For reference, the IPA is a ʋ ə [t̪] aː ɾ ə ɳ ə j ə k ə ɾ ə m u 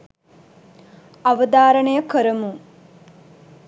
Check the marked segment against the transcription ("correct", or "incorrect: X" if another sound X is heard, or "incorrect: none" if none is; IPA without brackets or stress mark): incorrect: d̪